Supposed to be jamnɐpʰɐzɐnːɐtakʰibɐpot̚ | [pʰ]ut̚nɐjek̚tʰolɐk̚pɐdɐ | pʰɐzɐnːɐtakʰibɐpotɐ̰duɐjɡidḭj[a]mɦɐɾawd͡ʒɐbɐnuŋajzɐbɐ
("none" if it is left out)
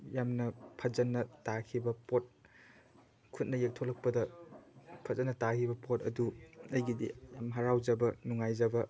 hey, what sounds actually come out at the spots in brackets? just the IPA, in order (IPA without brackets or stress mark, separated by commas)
kʰ, a